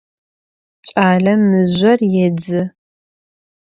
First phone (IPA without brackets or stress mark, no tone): t͡ʃʼ